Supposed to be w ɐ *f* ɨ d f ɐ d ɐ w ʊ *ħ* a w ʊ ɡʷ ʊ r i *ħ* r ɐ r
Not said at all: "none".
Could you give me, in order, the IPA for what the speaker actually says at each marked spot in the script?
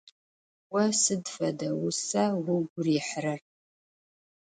s, s, ħ

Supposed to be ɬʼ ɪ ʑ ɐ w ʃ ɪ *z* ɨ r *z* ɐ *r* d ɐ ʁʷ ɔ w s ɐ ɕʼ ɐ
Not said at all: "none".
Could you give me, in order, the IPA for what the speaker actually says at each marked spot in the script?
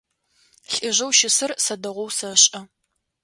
s, s, none

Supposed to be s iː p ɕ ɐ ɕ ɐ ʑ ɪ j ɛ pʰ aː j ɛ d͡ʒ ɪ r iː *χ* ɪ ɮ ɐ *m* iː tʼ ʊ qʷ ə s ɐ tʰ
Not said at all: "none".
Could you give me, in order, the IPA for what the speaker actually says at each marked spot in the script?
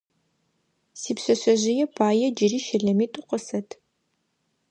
ʃ, m

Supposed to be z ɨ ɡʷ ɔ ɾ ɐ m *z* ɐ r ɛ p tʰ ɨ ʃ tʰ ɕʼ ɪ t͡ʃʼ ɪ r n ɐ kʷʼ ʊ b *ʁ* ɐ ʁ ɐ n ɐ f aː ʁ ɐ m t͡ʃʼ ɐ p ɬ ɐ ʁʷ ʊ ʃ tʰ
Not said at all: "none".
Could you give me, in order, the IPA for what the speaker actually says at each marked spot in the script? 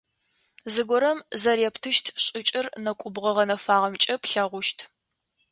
z, ʁ

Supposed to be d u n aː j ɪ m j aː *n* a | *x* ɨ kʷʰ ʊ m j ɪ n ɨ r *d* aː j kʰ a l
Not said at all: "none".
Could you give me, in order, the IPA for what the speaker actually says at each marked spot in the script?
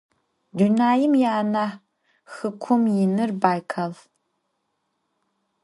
n, x, b

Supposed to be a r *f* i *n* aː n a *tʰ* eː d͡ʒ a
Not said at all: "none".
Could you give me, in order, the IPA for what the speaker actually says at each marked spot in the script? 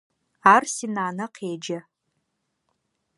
s, n, qʰ

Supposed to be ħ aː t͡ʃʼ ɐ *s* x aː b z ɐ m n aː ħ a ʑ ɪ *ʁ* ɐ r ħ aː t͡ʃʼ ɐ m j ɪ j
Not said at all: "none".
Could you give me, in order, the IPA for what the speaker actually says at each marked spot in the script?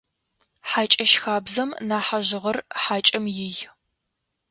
ʃ, ʁ

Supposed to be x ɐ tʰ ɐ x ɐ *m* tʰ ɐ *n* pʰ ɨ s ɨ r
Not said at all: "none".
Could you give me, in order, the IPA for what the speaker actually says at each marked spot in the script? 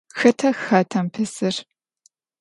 none, m

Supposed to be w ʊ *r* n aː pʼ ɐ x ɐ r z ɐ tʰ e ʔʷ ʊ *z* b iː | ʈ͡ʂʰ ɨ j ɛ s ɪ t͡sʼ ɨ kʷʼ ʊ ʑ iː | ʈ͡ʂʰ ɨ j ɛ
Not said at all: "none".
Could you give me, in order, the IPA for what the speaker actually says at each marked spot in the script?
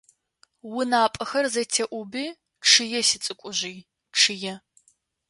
none, none

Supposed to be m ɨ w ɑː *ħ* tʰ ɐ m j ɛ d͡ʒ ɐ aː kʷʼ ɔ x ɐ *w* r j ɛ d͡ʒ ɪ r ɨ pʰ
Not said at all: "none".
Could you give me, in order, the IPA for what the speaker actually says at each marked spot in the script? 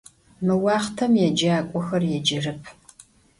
χ, none

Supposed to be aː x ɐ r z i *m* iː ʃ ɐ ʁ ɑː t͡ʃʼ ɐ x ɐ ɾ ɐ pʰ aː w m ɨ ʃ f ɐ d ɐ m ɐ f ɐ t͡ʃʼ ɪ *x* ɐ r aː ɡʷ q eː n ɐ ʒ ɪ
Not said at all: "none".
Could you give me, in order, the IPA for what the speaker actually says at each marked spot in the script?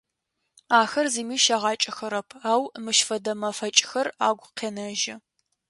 m, x

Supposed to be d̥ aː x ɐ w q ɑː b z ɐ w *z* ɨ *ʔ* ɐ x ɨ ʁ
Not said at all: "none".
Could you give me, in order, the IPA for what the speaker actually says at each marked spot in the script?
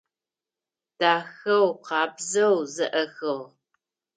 z, ʔ

